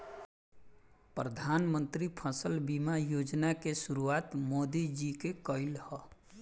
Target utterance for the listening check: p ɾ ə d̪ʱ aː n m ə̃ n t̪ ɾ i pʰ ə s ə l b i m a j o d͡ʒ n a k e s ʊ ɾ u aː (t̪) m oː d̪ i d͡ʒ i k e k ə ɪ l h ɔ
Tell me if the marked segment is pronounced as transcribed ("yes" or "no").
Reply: yes